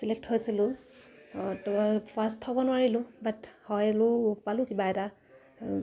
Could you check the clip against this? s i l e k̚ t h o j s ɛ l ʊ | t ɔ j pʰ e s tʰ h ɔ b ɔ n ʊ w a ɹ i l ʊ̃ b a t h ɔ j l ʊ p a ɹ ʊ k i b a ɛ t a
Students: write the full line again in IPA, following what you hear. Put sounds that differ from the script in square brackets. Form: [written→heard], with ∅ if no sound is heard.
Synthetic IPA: s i l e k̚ t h o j s [ɛ→i] l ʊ | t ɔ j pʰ [e→a] s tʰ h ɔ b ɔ n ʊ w a ɹ i l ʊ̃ b a t h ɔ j l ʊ p a [ɹ→l] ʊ k i b a ɛ t a